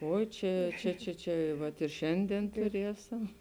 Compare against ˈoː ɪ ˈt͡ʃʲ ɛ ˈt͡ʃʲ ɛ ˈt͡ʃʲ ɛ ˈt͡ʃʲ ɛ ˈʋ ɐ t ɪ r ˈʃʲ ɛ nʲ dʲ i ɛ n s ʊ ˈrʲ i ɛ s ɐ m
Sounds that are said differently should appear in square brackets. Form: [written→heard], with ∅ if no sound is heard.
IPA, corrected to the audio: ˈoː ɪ ˈt͡ʃʲ ɛ ˈt͡ʃʲ ɛ ˈt͡ʃʲ ɛ ˈt͡ʃʲ ɛ ˈʋ ɐ t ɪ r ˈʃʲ ɛ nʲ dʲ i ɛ n [s→t] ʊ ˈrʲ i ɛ s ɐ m